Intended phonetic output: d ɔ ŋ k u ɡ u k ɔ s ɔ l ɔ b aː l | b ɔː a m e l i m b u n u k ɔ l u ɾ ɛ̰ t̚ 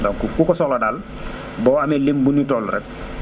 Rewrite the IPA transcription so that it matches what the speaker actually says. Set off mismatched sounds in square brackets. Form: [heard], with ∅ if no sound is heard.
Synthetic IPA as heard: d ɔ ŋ k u [k] u k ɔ s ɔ l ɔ [d] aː l | b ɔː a m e l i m b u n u [t] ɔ l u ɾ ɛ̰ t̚

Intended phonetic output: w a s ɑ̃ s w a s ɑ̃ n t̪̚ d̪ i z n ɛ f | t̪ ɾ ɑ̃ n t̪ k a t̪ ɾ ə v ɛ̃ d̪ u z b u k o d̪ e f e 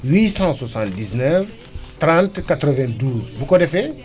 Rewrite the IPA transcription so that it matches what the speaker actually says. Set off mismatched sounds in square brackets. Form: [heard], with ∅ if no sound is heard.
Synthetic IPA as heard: w [i] s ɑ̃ s w a s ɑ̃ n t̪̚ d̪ i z n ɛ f | t̪ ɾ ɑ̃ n t̪ k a t̪ ɾ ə v ɛ̃ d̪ u z b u k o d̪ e f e

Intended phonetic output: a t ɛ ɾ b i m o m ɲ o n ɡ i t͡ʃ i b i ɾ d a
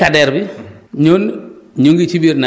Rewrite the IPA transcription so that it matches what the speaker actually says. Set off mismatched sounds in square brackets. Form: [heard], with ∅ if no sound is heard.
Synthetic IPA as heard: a [d] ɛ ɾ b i [ɲ] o [n] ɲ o [ŋ] ɡ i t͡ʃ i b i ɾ [n] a

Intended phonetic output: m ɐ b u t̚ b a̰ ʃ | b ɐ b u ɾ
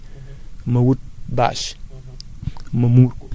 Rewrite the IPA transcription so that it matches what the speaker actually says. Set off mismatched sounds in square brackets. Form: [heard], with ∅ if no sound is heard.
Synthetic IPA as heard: m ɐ [w] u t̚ b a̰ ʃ | [m] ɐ [m] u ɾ

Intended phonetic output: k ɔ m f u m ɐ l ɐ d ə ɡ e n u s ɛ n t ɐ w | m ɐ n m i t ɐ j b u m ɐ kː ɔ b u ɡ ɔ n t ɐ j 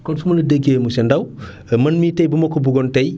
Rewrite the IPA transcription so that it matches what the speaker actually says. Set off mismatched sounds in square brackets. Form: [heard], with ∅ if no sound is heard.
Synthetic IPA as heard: k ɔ [n] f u m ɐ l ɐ d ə ɡ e [m] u s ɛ n [d] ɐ w | m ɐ n m i t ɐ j b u m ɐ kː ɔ b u ɡ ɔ n t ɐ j

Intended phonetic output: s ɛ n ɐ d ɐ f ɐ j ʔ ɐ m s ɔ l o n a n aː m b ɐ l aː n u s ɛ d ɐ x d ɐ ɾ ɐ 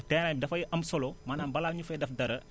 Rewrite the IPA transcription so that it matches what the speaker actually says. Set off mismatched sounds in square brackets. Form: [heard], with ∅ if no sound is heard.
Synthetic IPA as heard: [t] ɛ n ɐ d ɐ f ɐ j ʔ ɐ m s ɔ l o [m] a n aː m b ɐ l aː [ɲ] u [f] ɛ d ɐ [f] d ɐ ɾ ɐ

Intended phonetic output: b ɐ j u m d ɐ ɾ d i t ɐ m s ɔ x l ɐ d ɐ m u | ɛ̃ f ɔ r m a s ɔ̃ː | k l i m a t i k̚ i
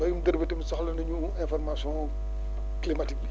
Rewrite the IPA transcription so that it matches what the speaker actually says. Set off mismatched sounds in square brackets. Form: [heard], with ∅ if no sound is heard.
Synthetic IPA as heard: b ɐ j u m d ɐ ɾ [b] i t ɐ m s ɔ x l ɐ [n] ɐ [ɲ] u | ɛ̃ f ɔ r m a s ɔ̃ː | k l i m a t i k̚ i

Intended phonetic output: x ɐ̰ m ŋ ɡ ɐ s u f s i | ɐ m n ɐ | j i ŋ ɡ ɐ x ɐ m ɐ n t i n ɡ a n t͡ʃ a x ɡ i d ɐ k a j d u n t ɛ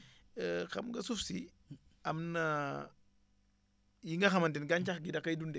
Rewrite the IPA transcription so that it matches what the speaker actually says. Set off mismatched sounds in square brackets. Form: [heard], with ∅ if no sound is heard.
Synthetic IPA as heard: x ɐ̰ m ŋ ɡ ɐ s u f s i | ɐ m n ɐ | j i ŋ ɡ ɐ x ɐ m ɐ n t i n ɡ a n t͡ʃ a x ɡ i d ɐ k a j d u n [d] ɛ

